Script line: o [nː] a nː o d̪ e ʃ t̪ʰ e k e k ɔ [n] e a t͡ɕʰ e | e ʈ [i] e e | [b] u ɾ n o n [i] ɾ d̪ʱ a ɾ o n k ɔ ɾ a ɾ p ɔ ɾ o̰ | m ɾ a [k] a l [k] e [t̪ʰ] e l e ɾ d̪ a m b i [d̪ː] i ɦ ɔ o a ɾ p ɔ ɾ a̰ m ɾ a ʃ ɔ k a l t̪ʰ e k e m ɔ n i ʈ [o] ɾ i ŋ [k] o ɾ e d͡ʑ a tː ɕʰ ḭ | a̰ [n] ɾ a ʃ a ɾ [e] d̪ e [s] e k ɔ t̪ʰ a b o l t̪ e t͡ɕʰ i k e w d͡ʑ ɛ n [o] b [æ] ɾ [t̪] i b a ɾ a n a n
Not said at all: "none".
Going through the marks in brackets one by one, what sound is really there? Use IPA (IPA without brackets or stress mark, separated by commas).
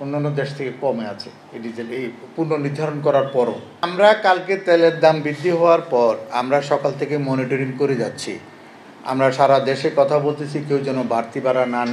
nː, m, i, p, i, k, k, t̪, d̪ː, o, k, m, a, ʃ, o, a, t̪